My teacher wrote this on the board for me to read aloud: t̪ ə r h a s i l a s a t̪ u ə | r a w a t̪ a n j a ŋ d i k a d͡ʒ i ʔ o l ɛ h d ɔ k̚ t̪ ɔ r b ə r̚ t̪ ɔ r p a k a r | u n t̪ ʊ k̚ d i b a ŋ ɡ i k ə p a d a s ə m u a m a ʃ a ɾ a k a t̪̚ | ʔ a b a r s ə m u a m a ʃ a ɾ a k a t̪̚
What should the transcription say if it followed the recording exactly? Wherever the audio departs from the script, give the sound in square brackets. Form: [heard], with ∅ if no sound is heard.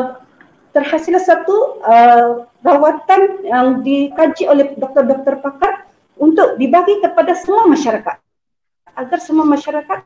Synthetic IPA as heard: t̪ ə r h a s i l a s a t̪ u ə | r a w a t̪ a n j a ŋ d i k a d͡ʒ i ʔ o l ɛ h d ɔ k̚ t̪ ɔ r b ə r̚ t̪ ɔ r p a k a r | u n t̪ ʊ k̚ d i b a [∅] ɡ i k ə p a d a s ə m u a m a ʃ a ɾ a k a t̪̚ | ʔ a [ɡ] a r s ə m u a m a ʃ a ɾ a k a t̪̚